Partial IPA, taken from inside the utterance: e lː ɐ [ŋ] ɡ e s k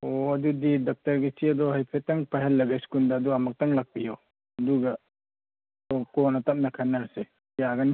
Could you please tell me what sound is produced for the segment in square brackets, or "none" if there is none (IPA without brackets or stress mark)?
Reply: none